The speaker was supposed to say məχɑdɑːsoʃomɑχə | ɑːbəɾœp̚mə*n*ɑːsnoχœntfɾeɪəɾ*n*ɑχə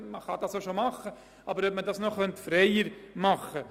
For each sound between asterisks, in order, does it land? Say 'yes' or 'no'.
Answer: no, no

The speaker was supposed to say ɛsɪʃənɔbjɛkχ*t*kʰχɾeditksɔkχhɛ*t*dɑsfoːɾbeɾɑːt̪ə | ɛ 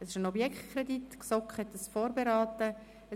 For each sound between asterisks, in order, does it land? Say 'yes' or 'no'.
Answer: yes, yes

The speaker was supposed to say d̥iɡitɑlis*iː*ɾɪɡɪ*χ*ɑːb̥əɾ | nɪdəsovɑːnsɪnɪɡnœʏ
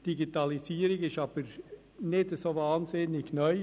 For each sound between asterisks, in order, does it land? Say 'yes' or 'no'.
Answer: yes, no

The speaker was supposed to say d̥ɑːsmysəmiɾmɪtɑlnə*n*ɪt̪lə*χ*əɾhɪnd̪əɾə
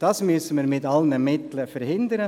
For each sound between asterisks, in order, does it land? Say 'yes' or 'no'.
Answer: no, no

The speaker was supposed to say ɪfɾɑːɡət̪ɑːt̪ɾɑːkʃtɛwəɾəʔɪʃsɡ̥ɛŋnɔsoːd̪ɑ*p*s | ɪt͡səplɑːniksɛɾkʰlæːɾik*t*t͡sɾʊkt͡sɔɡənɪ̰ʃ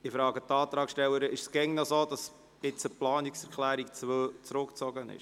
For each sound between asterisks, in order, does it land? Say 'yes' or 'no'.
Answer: no, no

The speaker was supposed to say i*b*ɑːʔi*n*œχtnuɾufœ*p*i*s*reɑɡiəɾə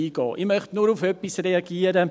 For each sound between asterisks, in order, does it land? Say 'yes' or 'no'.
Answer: no, no, yes, yes

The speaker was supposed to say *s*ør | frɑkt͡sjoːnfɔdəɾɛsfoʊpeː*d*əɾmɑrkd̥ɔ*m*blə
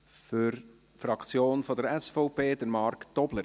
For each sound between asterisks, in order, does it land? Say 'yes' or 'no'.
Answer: no, yes, no

